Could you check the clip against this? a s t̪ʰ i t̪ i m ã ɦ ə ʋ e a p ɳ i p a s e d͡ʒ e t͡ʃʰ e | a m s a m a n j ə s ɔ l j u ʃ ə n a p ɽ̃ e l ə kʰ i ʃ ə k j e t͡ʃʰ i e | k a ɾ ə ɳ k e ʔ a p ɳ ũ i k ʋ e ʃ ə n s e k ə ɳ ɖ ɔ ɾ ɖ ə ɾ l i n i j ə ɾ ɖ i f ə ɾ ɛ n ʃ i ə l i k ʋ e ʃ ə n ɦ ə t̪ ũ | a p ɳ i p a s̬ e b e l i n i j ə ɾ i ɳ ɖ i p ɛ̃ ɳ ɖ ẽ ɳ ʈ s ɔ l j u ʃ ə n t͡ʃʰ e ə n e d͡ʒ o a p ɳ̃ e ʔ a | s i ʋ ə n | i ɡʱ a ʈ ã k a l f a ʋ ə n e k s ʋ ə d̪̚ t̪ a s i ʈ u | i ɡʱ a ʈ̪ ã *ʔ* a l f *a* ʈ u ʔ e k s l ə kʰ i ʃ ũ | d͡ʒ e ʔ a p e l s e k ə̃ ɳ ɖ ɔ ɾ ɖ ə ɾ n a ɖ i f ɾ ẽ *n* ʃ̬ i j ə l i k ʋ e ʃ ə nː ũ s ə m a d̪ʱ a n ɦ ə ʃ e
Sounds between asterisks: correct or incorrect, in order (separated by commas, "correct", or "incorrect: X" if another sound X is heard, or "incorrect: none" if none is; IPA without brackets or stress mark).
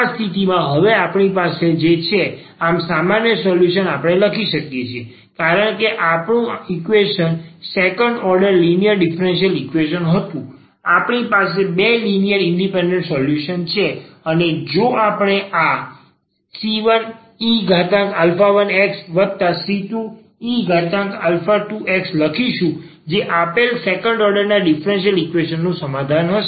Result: incorrect: k, correct, correct